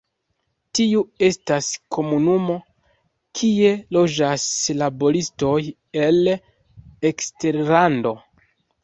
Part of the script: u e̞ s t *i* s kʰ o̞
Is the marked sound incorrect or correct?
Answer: incorrect: a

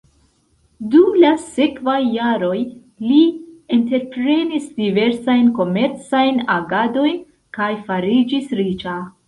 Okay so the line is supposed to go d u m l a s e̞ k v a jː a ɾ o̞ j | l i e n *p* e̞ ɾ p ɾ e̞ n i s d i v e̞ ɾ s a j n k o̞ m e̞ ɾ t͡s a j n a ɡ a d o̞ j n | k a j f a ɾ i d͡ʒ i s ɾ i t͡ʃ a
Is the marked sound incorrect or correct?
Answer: incorrect: t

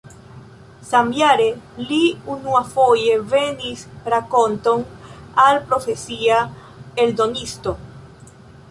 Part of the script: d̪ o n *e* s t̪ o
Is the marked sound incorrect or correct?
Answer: incorrect: i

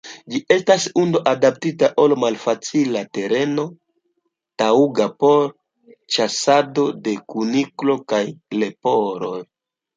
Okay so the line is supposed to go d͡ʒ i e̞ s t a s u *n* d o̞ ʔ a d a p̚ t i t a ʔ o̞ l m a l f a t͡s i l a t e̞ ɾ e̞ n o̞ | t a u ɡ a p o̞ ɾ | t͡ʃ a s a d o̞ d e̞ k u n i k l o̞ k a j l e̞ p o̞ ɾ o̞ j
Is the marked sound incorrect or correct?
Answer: correct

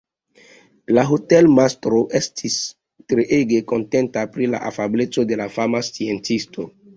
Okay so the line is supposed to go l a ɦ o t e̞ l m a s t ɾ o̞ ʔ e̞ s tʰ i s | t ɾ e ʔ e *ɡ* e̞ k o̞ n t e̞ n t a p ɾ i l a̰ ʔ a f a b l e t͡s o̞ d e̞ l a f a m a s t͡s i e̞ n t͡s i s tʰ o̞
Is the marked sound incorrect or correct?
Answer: correct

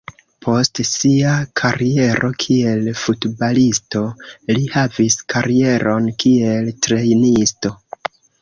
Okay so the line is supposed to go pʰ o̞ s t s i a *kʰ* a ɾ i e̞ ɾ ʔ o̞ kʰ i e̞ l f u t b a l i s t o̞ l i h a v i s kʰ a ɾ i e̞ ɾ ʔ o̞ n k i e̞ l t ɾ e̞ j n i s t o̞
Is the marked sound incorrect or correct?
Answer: correct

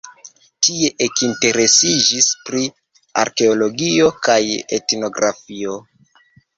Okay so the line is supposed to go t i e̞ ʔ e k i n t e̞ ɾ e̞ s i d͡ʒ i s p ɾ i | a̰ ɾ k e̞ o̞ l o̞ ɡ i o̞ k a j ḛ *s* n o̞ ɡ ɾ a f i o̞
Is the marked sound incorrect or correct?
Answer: incorrect: t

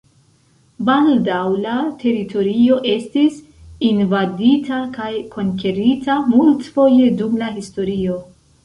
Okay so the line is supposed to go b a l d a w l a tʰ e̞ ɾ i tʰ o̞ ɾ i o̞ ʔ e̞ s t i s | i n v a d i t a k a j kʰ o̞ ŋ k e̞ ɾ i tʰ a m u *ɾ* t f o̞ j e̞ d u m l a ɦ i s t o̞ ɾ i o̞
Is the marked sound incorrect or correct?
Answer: incorrect: l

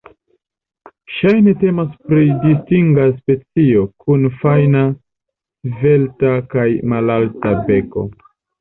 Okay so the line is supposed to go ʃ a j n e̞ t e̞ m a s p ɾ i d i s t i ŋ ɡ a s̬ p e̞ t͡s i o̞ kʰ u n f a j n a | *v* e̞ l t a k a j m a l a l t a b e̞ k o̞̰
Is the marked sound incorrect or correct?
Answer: correct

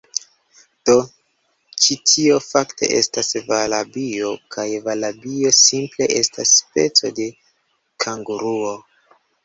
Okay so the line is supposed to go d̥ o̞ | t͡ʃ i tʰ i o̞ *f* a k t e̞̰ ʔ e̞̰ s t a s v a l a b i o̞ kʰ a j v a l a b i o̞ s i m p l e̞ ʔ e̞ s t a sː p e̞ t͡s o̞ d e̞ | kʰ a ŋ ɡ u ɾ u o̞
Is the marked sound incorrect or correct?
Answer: correct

